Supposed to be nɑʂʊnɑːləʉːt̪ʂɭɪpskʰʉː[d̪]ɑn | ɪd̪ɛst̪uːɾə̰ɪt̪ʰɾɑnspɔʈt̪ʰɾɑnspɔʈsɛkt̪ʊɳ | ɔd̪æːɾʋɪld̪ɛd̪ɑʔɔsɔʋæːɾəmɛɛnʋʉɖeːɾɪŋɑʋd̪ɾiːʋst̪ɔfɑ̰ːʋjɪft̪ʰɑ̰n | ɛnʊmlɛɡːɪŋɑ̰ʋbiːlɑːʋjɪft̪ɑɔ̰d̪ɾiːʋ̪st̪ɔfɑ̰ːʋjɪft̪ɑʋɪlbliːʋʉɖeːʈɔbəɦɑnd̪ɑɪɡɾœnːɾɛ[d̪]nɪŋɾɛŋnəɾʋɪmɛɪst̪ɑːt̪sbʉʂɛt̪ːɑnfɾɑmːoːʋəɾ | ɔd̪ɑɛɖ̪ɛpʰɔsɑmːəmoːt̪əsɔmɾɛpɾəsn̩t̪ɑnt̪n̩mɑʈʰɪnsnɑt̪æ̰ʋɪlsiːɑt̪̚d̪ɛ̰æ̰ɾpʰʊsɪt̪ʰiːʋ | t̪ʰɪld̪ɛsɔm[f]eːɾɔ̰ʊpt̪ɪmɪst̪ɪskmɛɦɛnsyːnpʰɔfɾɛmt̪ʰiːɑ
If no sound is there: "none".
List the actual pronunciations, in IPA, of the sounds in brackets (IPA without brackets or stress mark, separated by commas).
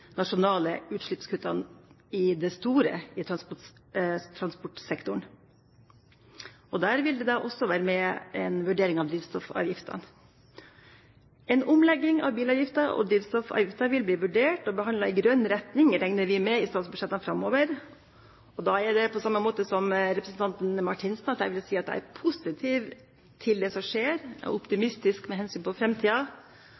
t̪, t̪, ʂ